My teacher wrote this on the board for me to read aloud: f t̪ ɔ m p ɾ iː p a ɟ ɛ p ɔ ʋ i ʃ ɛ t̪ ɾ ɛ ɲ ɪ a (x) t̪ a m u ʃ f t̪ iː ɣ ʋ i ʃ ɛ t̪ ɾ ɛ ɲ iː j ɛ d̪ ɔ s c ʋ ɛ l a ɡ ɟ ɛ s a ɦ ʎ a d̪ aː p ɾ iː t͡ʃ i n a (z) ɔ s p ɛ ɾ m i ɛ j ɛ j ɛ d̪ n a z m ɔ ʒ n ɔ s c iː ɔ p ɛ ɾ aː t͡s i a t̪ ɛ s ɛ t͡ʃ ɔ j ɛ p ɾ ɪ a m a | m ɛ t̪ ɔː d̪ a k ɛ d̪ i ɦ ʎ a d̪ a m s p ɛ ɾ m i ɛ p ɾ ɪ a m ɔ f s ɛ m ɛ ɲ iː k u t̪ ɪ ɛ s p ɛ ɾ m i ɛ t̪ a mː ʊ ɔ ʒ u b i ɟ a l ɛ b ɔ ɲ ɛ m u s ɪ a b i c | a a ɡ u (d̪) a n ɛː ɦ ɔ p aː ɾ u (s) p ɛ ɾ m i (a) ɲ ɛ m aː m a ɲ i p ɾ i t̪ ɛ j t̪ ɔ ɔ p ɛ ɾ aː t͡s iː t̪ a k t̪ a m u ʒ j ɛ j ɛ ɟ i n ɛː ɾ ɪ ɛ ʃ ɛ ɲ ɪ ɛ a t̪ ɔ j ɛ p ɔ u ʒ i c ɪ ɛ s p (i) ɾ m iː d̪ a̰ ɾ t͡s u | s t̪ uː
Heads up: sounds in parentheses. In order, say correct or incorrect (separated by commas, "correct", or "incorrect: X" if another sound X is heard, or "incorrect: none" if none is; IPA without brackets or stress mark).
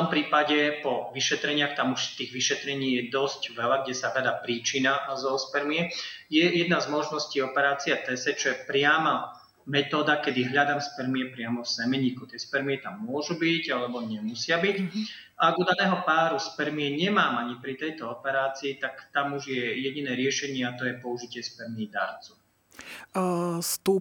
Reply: correct, correct, correct, correct, incorrect: ɛ, incorrect: ɛ